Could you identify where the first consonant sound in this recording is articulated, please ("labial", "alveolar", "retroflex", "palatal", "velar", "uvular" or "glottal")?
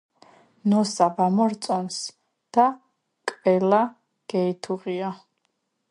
alveolar